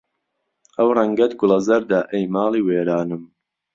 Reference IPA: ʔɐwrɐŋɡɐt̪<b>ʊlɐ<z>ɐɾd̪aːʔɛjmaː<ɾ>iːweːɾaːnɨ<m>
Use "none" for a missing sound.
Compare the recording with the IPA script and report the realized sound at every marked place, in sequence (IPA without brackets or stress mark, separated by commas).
ɡ, z, l, m